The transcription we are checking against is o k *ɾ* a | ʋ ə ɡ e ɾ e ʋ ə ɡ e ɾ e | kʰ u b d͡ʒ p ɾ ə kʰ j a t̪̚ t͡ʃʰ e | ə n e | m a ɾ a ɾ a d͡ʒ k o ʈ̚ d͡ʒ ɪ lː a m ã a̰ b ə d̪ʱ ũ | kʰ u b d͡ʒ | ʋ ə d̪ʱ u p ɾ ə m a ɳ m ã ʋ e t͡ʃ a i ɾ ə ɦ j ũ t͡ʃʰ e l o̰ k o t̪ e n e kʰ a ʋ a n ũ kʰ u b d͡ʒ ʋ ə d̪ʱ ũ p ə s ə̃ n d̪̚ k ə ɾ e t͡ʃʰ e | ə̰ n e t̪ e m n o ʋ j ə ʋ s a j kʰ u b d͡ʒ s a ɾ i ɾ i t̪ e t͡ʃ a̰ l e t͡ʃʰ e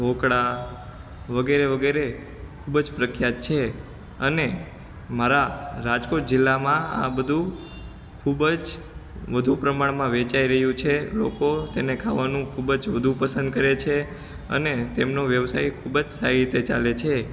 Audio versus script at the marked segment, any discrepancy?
yes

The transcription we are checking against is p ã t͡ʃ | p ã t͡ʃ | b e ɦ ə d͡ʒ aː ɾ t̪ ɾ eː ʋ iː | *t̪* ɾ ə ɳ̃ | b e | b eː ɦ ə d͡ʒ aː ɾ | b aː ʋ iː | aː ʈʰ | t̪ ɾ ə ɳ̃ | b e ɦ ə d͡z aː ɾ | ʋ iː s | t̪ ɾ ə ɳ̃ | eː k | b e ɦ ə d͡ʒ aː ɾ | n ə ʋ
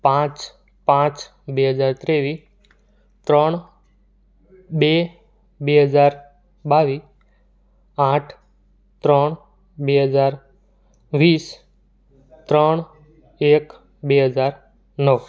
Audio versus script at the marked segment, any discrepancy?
no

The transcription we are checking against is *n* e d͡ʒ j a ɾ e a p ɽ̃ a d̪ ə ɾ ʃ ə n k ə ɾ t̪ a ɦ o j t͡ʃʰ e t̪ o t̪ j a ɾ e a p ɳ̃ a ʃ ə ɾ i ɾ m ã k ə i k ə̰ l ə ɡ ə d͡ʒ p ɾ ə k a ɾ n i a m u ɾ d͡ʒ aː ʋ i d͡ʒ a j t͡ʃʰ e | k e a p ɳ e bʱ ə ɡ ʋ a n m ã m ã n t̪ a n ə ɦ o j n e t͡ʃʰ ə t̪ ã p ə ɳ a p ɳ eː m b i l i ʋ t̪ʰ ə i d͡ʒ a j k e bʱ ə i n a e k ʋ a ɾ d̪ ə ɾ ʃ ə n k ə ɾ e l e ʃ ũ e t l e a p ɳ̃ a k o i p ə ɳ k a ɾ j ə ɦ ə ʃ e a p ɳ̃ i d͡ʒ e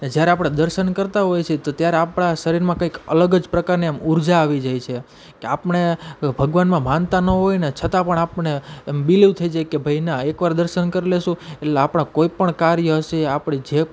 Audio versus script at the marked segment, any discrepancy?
no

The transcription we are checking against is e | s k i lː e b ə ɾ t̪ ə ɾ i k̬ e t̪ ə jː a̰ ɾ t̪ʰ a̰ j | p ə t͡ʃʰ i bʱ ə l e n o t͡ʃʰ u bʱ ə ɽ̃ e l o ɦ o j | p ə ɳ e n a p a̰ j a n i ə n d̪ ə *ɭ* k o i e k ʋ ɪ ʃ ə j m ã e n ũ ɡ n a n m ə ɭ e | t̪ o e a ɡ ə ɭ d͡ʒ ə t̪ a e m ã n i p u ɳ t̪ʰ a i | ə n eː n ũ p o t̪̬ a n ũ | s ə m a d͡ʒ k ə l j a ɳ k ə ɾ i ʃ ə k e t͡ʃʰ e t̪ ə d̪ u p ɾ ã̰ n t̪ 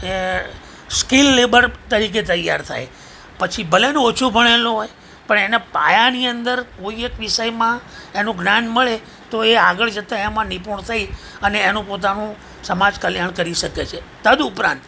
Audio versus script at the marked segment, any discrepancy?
yes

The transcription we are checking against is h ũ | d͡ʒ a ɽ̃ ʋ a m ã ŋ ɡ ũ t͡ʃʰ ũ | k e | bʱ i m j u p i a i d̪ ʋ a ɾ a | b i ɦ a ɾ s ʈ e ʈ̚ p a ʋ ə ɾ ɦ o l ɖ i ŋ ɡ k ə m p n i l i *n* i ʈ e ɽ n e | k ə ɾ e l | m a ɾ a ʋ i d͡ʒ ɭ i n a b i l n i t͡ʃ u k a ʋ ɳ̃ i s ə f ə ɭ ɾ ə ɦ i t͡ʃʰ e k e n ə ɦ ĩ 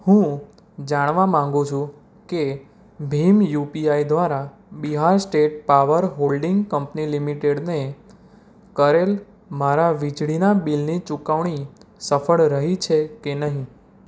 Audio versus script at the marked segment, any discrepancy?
yes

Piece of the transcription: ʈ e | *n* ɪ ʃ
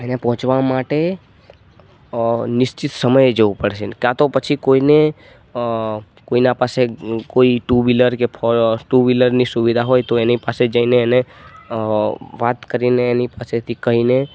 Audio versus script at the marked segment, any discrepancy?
no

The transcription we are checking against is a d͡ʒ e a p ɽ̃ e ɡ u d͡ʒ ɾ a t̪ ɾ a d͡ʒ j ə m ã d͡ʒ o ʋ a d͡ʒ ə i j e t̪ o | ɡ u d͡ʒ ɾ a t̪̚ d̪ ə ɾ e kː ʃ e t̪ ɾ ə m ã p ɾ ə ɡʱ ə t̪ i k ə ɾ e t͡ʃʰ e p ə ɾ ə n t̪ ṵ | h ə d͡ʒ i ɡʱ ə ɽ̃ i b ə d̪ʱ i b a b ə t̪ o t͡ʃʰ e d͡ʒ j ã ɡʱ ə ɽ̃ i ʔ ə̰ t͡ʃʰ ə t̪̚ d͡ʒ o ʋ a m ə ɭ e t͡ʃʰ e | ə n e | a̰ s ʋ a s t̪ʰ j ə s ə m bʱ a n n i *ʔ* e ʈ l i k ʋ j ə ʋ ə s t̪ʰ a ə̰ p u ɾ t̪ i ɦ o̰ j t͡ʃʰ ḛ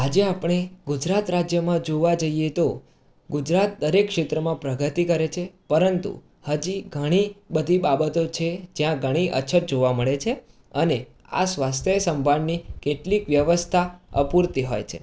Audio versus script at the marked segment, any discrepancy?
yes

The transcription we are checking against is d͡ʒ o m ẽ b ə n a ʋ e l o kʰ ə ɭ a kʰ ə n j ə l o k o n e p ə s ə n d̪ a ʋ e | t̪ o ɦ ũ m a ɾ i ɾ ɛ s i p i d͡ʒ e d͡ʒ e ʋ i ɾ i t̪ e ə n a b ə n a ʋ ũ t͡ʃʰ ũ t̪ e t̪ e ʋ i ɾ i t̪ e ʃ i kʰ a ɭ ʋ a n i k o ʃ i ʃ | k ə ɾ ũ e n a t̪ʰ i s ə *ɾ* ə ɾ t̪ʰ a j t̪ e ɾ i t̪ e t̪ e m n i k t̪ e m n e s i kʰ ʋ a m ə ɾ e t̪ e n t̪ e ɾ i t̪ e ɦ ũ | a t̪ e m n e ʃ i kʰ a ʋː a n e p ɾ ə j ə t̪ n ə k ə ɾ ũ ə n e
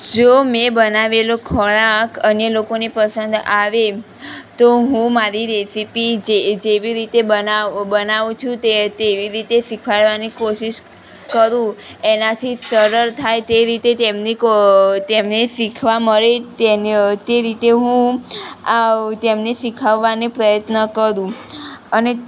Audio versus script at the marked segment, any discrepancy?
no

